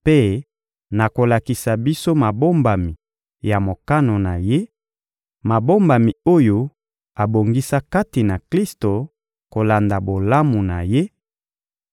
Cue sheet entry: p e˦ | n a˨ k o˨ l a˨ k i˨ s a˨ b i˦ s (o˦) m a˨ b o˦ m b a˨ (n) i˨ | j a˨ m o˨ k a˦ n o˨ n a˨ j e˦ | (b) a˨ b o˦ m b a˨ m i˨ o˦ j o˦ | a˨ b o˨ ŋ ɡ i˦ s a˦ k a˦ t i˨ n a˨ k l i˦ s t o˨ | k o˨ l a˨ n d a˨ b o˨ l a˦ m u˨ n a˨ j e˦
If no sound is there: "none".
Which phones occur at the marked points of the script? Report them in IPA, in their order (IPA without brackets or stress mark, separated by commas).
o˦, m, m